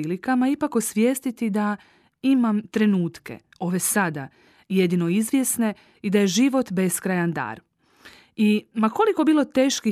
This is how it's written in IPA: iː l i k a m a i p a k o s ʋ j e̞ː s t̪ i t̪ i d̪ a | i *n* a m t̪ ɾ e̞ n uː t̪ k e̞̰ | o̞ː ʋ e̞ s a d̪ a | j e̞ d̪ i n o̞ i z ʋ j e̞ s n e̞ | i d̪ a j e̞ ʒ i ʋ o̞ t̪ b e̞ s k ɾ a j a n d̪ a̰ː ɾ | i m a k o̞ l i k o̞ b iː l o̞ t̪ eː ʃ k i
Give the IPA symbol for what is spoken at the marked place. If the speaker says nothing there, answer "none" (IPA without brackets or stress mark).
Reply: m